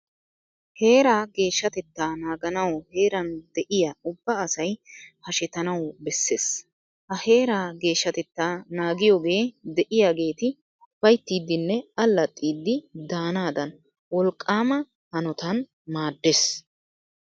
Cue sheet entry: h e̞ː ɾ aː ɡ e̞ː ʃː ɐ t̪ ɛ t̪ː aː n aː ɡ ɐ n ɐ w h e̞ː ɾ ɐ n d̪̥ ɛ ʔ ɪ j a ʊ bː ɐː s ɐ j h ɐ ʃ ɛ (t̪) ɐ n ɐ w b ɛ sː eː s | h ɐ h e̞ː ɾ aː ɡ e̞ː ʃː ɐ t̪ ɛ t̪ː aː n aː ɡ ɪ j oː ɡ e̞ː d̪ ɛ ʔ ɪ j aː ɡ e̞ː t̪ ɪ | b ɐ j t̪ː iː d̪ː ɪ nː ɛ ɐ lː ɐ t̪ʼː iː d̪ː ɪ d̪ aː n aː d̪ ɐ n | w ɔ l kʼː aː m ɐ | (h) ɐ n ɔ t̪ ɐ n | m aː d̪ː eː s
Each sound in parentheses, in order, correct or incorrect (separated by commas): correct, correct